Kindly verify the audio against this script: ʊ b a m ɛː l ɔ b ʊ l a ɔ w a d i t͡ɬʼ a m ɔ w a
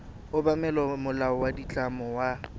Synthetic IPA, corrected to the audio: ʊ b a m ɛ l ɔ m ʊ l a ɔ w a d i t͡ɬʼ a m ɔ w a